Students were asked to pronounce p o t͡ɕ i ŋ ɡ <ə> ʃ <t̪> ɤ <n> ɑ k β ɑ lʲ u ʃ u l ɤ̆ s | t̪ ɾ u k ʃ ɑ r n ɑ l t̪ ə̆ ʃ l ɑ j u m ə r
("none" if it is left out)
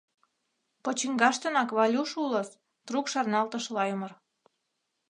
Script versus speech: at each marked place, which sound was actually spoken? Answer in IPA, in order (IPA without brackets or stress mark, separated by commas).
ɑ, t̪, n